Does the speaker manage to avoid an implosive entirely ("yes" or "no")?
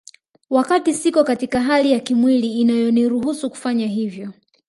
yes